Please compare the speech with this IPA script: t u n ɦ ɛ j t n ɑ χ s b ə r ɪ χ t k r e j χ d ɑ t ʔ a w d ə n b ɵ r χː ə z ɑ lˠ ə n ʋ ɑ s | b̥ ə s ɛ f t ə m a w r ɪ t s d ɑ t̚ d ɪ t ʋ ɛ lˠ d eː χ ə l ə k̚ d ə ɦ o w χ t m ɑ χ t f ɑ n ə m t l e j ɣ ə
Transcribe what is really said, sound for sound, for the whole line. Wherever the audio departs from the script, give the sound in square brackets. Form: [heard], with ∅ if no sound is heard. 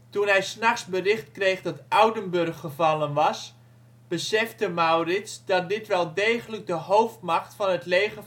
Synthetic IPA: t u n ɦ ɛ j [s] n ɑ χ s b ə r ɪ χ t k r e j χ d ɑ t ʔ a w d ə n b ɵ r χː ə [v] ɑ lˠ ə n ʋ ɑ s | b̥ ə s ɛ f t ə m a w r ɪ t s d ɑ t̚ d ɪ t ʋ ɛ lˠ d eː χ ə l ə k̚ d ə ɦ o w [f] t m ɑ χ t f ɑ n ə [∅] t l e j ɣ ə